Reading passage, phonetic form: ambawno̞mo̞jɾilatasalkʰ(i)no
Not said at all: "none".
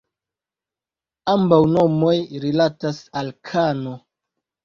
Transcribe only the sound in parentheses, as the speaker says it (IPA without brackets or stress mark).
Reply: a